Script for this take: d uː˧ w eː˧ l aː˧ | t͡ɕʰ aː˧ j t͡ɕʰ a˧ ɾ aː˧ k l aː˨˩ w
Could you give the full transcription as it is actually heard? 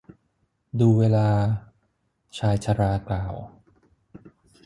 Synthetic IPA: d uː˧ w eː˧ l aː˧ | t͡ɕʰ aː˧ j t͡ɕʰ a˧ ɾ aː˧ k l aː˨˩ w